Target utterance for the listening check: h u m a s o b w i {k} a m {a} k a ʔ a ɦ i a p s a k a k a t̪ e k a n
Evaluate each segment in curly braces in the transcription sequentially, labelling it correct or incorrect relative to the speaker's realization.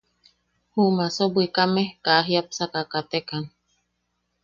correct, incorrect: e

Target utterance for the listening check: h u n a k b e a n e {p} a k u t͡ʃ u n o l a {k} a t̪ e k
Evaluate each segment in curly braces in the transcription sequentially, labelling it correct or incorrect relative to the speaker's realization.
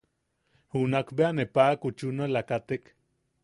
correct, correct

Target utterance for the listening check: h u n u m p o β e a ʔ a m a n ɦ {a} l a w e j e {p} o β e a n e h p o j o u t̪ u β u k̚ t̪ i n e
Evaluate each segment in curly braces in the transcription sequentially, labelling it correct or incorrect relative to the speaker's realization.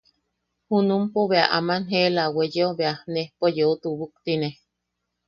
incorrect: e, incorrect: none

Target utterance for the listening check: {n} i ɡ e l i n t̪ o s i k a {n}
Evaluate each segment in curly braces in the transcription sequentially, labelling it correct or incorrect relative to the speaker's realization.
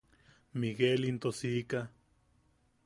incorrect: m, incorrect: none

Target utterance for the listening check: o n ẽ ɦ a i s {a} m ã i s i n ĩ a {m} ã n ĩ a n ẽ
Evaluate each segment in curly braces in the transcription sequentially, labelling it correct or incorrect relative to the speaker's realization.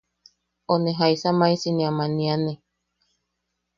correct, correct

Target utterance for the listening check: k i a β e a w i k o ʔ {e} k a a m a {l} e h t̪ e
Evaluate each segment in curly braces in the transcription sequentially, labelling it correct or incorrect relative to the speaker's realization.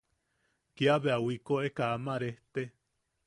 correct, incorrect: ɾ

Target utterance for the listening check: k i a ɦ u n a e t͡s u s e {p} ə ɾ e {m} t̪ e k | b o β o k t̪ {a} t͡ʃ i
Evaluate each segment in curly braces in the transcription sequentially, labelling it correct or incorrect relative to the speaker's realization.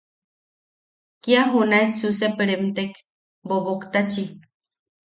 correct, correct, correct

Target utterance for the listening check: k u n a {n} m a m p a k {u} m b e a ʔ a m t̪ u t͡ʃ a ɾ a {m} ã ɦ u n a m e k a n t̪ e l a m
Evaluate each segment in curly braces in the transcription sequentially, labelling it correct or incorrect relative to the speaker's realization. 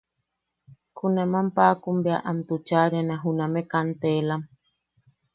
incorrect: none, correct, incorrect: n

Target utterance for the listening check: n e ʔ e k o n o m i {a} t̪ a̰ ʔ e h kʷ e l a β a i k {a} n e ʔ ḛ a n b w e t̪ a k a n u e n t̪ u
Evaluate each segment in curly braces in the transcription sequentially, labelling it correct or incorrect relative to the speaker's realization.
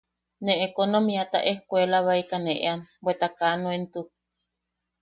correct, correct

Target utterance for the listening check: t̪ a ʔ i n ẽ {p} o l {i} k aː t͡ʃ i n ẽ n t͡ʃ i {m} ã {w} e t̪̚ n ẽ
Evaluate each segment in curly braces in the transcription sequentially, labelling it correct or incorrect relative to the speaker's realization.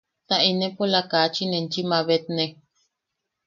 correct, incorrect: a, correct, incorrect: β

